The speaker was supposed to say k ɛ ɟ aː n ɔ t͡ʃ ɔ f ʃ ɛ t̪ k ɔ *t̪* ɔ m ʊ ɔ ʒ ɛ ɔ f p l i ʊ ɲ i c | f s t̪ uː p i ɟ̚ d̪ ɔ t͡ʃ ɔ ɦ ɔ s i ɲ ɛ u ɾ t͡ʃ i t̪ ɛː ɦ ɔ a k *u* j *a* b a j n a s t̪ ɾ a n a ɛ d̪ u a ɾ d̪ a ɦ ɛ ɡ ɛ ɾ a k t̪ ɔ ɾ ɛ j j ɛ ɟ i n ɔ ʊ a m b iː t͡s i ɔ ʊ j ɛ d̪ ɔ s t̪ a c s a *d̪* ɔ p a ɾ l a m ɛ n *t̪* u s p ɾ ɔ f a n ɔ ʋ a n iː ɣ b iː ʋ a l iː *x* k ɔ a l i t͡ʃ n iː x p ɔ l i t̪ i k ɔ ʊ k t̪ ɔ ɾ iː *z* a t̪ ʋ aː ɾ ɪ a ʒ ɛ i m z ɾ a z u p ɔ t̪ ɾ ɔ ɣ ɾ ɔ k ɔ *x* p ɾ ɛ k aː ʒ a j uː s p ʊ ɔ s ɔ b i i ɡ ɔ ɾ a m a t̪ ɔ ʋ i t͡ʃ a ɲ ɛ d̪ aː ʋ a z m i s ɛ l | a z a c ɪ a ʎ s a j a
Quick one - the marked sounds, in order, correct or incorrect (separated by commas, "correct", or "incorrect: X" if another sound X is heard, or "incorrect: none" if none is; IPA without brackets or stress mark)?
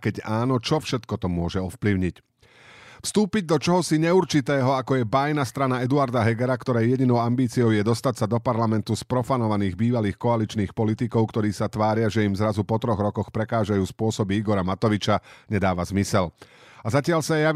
correct, incorrect: ɔ, incorrect: ɛ, correct, correct, correct, incorrect: s, correct